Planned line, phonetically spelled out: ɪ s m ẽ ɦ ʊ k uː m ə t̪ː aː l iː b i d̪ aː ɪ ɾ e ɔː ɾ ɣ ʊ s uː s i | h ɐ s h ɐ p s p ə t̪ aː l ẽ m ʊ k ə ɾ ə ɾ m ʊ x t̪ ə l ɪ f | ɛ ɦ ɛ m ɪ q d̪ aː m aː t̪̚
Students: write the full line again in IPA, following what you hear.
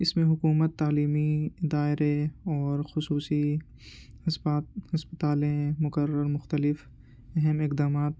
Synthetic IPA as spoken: ɪ s m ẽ ɦ ʊ k uː m ə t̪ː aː l iː m i d̪ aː ɪ ɾ e ɔː ɾ x ʊ s uː s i | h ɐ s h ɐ s p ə t̪ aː l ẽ m ʊ k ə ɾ ə ɾ m ʊ x t̪ ə l ɪ f | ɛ ɦ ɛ m ɪ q d̪ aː m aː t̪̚